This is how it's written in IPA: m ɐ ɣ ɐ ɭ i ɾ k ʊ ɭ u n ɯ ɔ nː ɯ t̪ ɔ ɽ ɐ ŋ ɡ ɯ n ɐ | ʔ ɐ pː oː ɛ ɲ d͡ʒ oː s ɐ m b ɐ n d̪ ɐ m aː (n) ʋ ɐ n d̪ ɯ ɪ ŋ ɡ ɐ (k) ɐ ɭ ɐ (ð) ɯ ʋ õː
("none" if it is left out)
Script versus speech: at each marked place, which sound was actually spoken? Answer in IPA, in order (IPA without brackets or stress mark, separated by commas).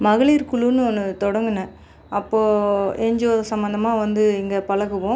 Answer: none, p, ɣ